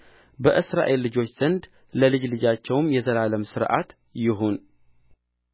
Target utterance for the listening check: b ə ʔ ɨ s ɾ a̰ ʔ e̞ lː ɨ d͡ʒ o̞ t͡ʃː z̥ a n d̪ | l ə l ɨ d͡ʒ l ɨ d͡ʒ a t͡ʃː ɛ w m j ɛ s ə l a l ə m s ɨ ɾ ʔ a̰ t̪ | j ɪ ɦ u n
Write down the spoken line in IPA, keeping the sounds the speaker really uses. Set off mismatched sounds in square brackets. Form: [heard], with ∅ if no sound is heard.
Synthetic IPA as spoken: b ə ʔ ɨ s ɾ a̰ ʔ e̞ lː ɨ d͡ʒ o̞ t͡ʃː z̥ [ə] n d̪ | l ə l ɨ d͡ʒ l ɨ d͡ʒ a t͡ʃː ɛ w m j ɛ [z] ə l a l ə m s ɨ ɾ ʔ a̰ t̪ | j ɪ ɦ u n